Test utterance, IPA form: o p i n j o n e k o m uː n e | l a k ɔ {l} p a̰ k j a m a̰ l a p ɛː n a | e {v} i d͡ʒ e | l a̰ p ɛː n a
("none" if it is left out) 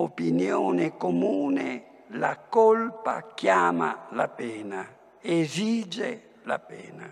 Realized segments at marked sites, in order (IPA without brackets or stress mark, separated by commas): l, z